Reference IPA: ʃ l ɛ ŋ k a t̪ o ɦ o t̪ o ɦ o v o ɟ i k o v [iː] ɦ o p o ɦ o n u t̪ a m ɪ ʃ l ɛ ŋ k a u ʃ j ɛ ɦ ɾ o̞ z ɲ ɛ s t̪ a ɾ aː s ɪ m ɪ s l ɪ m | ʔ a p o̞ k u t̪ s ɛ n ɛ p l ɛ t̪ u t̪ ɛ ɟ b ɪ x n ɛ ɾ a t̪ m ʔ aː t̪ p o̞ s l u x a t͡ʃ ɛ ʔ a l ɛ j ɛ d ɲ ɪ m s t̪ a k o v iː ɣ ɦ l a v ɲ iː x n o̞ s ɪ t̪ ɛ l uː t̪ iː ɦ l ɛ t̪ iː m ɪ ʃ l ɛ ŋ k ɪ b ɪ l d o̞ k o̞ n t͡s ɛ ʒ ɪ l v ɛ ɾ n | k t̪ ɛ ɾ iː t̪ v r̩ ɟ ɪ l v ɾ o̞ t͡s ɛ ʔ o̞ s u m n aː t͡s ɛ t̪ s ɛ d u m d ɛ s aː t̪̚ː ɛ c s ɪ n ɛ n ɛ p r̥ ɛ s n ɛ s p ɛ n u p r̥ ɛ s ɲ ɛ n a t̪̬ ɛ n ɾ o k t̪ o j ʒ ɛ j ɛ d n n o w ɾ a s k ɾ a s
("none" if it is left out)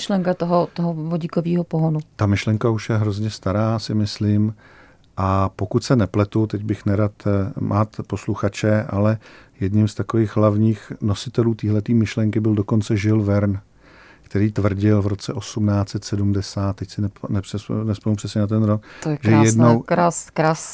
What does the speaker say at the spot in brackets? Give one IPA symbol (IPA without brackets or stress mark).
iː